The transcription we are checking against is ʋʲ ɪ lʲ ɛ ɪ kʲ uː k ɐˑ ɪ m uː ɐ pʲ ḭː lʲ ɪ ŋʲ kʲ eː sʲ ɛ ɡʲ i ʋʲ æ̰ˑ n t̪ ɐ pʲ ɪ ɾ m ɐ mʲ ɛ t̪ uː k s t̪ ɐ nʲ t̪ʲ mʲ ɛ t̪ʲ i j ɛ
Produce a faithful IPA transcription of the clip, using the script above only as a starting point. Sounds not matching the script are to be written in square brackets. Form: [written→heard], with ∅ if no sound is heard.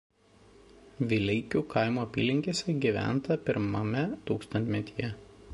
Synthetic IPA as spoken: ʋʲ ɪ lʲ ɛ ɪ kʲ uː k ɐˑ ɪ m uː ɐ pʲ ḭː lʲ ɪ ŋʲ kʲ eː sʲ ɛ ɡʲ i ʋʲ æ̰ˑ n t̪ ɐ pʲ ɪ ɾ m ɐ mʲ ɛ t̪ uː k s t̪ ɐ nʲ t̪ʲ mʲ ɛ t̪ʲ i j ɛ